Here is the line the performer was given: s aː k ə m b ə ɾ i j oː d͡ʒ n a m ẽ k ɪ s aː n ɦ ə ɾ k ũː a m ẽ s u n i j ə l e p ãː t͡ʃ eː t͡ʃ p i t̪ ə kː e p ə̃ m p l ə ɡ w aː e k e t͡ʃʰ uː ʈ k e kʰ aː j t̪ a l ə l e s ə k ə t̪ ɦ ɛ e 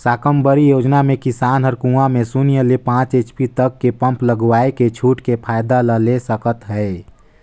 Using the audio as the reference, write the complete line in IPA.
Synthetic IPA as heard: s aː k ə m b ə ɾ i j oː d͡ʒ n a m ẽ k ɪ s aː n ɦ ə ɾ k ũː a m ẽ s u n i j ə l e p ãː t͡ʃ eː t͡ʃ p i t̪ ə kː e p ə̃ m p l ə ɡ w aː e k e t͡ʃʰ uː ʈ k e pʰ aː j d̪ a l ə l e s ə k ə t̪ ɦ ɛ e